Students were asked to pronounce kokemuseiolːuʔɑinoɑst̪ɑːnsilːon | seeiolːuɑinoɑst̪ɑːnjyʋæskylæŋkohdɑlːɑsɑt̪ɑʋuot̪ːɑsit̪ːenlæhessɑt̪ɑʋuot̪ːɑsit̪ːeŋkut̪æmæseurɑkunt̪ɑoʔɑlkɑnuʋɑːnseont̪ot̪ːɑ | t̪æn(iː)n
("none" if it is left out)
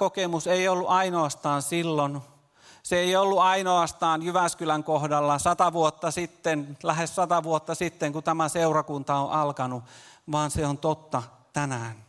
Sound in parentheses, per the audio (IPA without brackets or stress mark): æː